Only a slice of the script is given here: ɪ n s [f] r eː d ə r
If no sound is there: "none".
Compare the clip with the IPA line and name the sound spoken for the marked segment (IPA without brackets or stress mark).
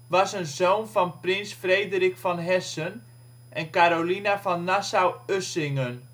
f